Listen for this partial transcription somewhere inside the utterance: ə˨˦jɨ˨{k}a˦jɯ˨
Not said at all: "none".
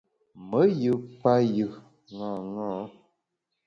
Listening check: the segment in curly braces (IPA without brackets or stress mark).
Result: p